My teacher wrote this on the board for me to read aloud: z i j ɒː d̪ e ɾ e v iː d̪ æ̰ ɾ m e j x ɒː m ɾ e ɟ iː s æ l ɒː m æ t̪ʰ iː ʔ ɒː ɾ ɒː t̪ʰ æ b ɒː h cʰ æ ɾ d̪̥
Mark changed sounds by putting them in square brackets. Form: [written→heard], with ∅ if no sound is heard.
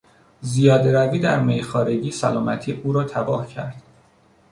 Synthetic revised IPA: z i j ɒː d̪ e ɾ [e→æ] v iː d̪ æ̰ ɾ m e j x ɒː [m→∅] ɾ e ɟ iː s æ l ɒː m æ t̪ʰ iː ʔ [ɒː→uː] ɾ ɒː t̪ʰ æ b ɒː h cʰ æ ɾ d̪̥

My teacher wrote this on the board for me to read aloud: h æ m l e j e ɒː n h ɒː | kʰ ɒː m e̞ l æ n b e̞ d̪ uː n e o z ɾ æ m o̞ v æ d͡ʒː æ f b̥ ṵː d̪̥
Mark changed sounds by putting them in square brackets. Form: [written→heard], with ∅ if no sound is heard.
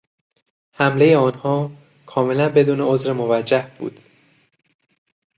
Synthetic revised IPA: h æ m l e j e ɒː n h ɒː | kʰ ɒː m e̞ l æ n b e̞ d̪ uː n e o z ɾ [æ→e] m o̞ v æ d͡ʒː æ [f→h] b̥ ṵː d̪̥

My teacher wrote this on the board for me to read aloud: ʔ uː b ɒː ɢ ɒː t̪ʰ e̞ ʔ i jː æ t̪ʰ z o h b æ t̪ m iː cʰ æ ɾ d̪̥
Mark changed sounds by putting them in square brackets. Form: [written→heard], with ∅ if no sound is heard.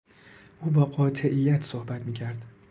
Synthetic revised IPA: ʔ uː b ɒː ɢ ɒː t̪ʰ e̞ ʔ i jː æ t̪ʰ [z→s] o h b æ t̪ m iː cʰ æ ɾ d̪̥

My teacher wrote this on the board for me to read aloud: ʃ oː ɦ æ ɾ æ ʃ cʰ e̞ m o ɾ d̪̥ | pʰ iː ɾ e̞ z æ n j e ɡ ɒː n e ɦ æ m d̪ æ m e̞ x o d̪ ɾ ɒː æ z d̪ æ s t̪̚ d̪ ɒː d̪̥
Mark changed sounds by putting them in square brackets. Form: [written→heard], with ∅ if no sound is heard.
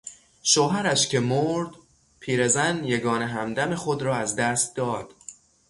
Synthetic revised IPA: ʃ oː ɦ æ ɾ æ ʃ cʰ e̞ m o ɾ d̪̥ | pʰ iː ɾ e̞ z æ n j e ɡ ɒː n e ɦ æ m d̪ æ m e̞ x o d̪ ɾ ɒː æ z d̪ æ s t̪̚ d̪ ɒː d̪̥

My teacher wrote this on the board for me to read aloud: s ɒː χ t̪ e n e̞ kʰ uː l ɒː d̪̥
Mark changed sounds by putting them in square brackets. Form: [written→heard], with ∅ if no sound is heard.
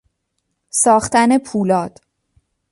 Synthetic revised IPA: s ɒː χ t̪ [e→æ] n e̞ [kʰ→pʰ] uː l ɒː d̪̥

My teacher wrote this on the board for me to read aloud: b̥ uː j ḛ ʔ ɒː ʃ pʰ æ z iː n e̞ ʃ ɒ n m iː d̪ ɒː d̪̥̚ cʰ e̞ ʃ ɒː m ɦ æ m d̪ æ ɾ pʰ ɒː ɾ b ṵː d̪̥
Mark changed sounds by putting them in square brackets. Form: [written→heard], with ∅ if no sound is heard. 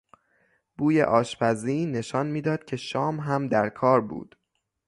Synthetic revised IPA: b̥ uː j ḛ ʔ ɒː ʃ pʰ æ z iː n e̞ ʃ ɒ n m iː d̪ ɒː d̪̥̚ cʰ e̞ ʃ ɒː m ɦ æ m d̪ æ ɾ [pʰ→kʰ] ɒː ɾ b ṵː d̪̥

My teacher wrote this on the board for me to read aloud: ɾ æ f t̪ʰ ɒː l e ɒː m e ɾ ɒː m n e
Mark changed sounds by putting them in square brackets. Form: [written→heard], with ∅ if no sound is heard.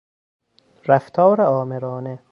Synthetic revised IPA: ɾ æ f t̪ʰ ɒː [l→ɾ] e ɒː m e ɾ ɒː [m→∅] n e

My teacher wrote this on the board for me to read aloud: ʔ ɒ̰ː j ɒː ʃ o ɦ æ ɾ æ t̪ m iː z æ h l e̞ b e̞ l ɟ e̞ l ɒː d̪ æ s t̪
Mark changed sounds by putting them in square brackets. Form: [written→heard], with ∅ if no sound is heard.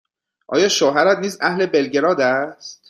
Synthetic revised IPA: ʔ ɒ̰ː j ɒː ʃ o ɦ æ ɾ æ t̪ [m→n] iː z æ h l e̞ b e̞ l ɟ e̞ [l→ɾ] ɒː d̪ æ s t̪

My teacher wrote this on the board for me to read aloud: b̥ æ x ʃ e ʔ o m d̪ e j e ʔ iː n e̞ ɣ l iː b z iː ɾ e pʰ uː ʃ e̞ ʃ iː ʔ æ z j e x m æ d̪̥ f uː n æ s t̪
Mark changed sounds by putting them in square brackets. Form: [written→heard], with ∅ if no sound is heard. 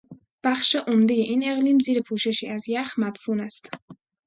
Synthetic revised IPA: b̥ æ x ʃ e ʔ o m d̪ e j e ʔ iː n e̞ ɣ l iː [b→m] z iː ɾ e pʰ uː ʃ e̞ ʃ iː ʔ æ z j [e→æ] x m æ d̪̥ f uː n æ s t̪

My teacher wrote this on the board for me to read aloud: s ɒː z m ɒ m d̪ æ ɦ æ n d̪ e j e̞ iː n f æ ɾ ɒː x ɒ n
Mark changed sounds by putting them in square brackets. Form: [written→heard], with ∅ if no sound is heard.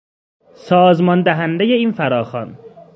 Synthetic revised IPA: s ɒː z m ɒ [m→n] d̪ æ ɦ æ n d̪ e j e̞ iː n f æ ɾ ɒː x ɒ n

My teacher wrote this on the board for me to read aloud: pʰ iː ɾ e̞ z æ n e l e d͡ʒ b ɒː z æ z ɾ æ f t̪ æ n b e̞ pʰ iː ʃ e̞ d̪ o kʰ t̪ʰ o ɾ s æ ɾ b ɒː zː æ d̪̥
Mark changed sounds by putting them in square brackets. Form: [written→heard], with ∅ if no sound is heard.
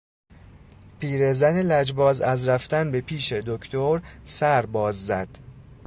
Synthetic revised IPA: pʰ iː ɾ e̞ z æ n e l [e→æ] d͡ʒ b ɒː z æ z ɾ æ f t̪ æ n b e̞ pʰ iː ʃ e̞ d̪ o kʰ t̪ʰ o ɾ s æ ɾ b ɒː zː æ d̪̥

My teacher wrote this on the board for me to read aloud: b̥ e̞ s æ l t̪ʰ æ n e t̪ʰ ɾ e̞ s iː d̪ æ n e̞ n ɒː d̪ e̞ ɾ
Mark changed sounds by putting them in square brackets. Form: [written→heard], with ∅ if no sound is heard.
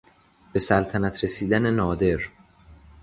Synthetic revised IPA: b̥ e̞ s æ l t̪ʰ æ n [e→æ] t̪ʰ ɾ e̞ s iː d̪ æ n e̞ n ɒː d̪ e̞ ɾ

